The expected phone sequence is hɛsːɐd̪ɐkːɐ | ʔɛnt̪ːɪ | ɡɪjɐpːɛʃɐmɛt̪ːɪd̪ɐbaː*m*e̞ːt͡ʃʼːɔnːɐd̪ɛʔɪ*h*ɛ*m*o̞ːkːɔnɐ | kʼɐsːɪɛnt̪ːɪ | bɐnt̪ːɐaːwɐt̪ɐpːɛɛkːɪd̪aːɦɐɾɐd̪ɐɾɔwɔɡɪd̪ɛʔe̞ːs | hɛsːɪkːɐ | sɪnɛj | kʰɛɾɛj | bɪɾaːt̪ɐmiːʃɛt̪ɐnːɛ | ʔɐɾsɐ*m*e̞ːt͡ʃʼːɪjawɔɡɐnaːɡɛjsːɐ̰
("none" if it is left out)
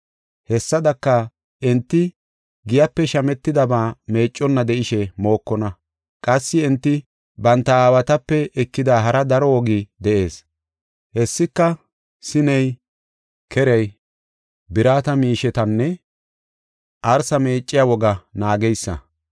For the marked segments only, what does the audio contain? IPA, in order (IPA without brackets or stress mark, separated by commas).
m, ʃ, m, m